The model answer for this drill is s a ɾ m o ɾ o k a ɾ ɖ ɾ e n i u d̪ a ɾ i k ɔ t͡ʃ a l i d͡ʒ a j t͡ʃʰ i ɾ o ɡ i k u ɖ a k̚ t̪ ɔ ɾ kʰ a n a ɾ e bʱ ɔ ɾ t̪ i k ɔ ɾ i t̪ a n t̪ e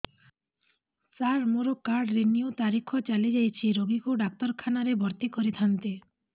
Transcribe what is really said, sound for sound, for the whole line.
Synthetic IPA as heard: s a ɾ m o ɾ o k a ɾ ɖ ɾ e n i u t̪ a ɾ i kʰ ɔ t͡ʃ a l i d͡ʒ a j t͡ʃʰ i ɾ o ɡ i k u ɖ a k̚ t̪ ɔ ɾ kʰ a n a ɾ e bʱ ɔ ɾ t̪ i k ɔ ɾ i t̪ʰ a n t̪ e